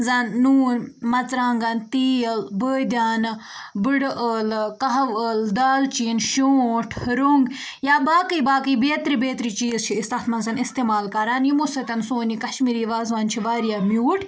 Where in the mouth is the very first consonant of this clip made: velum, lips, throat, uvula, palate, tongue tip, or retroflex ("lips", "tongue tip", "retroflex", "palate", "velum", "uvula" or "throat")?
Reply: tongue tip